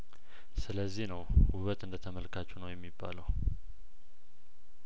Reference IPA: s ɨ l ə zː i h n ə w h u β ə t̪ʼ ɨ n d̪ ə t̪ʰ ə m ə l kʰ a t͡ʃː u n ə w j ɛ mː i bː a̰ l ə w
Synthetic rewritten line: s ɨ l ə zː i h n ə w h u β ə t̪ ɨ n d̪ ə t̪ʰ ə m ə l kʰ a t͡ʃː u n ə w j ɛ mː i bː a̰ l ə w